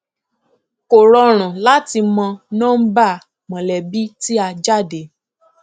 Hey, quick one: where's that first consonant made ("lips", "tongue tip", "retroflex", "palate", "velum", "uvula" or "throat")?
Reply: velum